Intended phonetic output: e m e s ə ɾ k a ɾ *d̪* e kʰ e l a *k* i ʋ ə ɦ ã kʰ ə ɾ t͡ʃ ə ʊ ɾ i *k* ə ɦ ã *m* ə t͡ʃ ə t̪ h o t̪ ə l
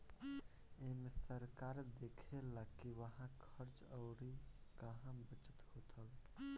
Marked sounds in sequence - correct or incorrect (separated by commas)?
correct, correct, correct, incorrect